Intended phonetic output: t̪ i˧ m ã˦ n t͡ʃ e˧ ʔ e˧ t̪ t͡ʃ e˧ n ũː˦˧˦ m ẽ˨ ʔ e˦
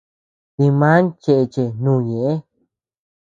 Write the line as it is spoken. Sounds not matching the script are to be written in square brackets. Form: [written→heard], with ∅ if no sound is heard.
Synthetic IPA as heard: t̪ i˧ m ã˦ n t͡ʃ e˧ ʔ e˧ [t̪→∅] t͡ʃ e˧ n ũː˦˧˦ [m→ɲ] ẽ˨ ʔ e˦